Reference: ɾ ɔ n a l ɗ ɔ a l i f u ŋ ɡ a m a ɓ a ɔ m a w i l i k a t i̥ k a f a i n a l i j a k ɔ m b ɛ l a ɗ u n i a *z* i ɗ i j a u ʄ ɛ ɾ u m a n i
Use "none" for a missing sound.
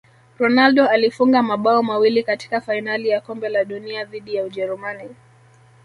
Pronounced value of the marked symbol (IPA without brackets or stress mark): ð